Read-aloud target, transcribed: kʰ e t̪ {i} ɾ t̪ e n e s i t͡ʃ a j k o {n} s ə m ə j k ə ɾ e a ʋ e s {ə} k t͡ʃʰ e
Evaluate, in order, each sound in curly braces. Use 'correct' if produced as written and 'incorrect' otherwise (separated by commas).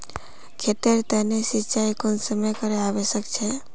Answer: incorrect, correct, correct